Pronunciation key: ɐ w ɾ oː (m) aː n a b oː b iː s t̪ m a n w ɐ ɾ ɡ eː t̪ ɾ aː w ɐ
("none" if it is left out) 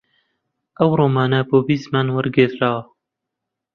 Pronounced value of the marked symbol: m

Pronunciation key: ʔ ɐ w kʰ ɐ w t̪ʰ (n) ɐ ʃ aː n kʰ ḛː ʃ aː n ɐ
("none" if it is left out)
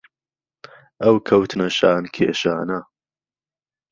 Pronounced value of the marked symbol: n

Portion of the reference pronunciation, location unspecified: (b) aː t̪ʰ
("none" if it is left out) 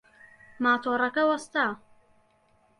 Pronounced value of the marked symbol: m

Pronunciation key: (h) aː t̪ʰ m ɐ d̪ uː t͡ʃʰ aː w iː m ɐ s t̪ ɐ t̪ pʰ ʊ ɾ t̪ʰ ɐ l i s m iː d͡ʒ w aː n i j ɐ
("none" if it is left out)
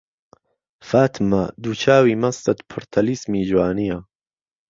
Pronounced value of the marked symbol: f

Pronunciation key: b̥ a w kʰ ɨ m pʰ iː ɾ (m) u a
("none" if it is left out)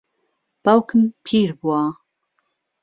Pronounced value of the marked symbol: b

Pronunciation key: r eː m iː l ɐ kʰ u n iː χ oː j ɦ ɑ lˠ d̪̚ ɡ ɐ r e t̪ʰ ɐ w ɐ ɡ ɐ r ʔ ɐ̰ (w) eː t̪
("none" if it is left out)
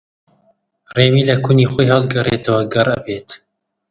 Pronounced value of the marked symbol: b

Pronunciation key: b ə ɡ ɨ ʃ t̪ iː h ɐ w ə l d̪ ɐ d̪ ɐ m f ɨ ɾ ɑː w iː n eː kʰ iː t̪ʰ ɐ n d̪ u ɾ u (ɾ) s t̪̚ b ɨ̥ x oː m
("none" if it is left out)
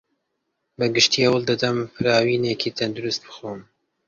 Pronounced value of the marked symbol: none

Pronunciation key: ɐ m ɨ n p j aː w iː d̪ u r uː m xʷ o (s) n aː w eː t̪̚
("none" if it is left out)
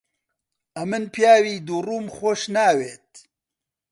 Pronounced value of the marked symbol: ʃ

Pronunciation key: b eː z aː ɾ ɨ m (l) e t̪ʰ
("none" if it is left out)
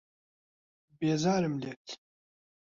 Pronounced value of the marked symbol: l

